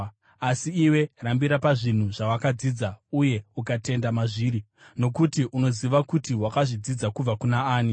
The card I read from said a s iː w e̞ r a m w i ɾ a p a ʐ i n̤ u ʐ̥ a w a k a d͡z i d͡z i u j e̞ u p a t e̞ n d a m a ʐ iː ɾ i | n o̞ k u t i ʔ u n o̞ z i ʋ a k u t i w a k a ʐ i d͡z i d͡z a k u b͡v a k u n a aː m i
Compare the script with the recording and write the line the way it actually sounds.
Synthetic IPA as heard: a s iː w e̞ r a m b i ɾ a p a ʐ i n̤ u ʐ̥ a w a k a d͡z i d͡z a u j e̞ u k a t e̞ n d a m a ʐ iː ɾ i | n o̞ k u t i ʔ u n o̞ z i ʋ a k u t i w a k a ʐ i d͡z i d͡z a k u b͡v a k u n a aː n i